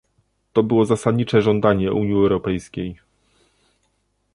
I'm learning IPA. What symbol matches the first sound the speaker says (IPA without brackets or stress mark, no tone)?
t̪